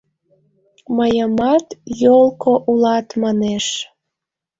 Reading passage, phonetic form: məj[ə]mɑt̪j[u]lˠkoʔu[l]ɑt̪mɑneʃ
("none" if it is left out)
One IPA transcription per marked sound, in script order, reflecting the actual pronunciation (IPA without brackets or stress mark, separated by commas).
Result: ə, o, l